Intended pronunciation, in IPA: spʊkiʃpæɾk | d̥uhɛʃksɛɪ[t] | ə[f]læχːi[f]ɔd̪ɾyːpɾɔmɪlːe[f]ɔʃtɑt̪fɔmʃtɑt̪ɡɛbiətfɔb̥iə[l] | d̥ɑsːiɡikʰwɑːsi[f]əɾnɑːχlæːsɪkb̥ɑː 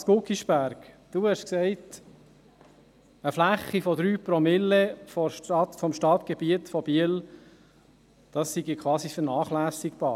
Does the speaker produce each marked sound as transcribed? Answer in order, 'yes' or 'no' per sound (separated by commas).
yes, yes, yes, yes, yes, yes